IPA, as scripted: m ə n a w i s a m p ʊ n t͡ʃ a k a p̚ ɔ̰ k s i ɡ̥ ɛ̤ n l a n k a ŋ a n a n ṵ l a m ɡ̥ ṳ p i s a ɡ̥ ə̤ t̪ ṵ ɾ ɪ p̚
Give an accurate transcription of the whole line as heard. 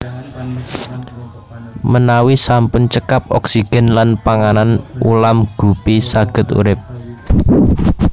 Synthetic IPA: m ə n a w i s a m p ʊ n t͡ʃ ə k a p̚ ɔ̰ k s i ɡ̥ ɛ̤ n l a n p a ŋ a n a n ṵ l a m ɡ̥ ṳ p i s a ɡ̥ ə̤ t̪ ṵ ɾ ɪ p̚